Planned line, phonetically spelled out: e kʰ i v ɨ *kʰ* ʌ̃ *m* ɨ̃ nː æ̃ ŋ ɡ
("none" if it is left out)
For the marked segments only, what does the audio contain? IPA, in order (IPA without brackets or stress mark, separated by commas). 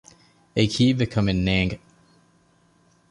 kʰ, m